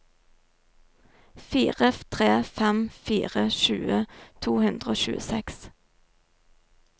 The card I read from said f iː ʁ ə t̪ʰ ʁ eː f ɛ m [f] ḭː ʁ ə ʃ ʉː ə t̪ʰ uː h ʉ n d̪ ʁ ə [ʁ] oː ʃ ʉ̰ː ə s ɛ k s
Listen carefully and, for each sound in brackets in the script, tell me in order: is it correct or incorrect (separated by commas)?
correct, incorrect